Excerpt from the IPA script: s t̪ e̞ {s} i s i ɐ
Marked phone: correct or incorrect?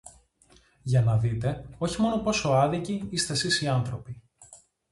correct